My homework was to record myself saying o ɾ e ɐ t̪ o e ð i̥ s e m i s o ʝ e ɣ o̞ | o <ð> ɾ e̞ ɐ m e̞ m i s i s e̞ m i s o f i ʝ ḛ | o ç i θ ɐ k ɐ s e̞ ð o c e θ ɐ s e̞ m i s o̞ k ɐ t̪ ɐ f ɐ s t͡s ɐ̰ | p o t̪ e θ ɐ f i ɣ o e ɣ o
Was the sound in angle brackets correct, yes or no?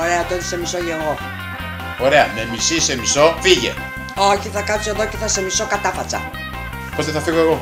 no